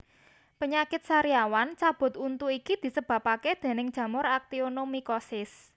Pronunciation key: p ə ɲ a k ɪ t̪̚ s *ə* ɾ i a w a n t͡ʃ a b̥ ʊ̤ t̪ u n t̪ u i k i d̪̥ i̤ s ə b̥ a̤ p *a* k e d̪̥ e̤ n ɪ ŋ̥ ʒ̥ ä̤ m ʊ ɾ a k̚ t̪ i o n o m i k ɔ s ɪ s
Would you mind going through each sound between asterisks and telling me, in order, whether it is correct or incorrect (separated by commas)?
incorrect, correct